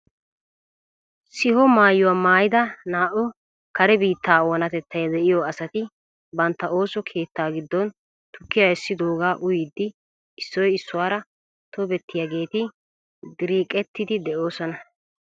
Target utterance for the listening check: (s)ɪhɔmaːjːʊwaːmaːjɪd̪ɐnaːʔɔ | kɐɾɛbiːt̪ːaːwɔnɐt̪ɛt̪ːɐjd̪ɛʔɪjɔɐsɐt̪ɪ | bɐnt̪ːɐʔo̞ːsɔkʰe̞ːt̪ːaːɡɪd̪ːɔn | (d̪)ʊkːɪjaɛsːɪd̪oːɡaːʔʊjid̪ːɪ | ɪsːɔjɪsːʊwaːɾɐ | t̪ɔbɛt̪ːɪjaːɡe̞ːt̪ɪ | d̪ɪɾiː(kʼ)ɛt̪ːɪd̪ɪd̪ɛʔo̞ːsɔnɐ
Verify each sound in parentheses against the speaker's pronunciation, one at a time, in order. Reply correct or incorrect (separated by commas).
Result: correct, incorrect, correct